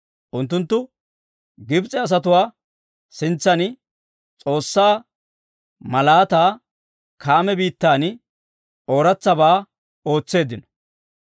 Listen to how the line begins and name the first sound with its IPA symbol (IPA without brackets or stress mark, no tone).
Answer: ʔ